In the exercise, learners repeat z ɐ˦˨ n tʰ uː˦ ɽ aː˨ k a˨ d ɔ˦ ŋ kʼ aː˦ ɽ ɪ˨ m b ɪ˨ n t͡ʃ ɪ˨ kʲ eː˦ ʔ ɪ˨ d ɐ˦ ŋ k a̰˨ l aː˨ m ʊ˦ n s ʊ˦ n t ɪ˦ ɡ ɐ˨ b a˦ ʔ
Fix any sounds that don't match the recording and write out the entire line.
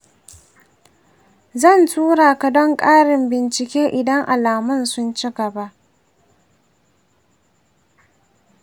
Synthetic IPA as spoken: z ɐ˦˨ n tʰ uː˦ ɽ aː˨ k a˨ d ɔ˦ ŋ kʼ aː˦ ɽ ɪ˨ m b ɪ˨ n t͡ʃ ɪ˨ kʲ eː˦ ʔ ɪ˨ d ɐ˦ ŋ ʔ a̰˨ l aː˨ m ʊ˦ n s ʊ˦ n t͡ʃ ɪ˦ ɡ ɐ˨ b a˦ ʔ